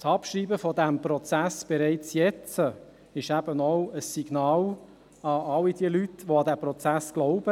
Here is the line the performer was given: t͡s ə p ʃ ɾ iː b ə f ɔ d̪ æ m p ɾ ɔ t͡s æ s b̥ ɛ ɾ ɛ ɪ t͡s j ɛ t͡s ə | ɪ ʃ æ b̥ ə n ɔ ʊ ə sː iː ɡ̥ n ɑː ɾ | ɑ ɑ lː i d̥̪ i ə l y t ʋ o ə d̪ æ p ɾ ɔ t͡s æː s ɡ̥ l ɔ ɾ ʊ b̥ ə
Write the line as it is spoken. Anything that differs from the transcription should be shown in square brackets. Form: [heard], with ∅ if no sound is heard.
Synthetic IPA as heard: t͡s [ɑ] p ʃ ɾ iː b ə f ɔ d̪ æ m p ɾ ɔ t͡s æ s b̥ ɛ ɾ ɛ ɪ t͡s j ɛ t͡s ə | ɪ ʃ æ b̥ ə n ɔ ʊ ə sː [i] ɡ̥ n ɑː [l] | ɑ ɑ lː i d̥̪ i ə l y t ʋ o [ɑ] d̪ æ p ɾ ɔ t͡s [æ] s ɡ̥ l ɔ [∅] ʊ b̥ ə